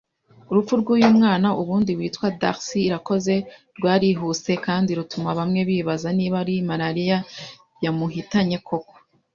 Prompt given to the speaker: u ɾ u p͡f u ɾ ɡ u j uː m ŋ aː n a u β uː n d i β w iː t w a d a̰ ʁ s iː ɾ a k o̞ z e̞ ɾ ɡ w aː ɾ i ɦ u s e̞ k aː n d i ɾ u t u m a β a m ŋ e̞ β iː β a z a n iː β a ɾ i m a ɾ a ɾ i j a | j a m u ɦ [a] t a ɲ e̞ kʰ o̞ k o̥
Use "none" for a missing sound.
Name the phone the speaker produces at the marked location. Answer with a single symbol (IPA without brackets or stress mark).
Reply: i